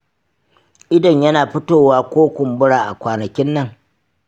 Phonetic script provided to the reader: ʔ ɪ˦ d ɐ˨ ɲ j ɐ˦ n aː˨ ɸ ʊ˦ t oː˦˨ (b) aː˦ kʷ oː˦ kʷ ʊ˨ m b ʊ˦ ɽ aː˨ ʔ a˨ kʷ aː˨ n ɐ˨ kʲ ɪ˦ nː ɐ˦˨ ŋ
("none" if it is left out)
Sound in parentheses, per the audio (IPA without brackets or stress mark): w